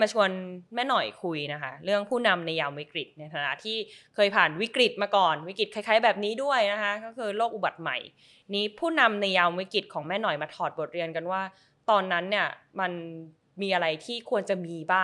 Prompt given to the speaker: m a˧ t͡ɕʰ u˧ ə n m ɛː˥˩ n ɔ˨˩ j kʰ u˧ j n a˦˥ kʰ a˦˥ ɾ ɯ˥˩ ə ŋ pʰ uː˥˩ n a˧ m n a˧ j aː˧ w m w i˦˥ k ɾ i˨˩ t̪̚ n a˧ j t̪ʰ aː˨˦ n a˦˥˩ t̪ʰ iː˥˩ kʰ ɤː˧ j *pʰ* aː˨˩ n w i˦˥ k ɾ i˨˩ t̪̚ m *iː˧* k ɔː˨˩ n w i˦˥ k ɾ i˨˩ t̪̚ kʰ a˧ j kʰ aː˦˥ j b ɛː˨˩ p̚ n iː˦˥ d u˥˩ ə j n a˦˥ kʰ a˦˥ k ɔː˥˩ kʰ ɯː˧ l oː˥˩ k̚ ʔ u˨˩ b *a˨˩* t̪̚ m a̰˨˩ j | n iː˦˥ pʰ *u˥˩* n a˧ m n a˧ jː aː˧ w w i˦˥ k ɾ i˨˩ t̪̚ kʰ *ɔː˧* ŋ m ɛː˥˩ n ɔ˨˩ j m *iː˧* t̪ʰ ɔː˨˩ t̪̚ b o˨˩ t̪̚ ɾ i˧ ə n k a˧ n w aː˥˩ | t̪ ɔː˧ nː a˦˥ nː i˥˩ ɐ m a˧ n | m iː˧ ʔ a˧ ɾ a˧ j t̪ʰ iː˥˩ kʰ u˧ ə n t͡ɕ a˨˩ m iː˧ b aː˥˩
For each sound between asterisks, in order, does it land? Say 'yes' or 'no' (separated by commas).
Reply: yes, no, yes, no, no, no